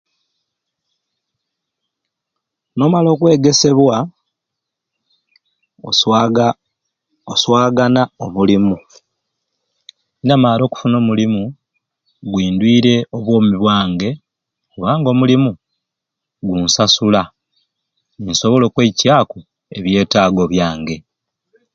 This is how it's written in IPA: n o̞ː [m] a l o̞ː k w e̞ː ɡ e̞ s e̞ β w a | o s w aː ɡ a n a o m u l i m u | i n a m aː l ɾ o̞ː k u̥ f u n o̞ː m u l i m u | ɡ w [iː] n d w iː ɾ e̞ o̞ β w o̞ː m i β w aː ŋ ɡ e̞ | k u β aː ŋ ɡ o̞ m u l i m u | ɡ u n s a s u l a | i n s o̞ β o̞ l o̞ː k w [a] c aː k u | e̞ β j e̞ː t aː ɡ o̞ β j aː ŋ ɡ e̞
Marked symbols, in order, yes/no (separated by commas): yes, yes, no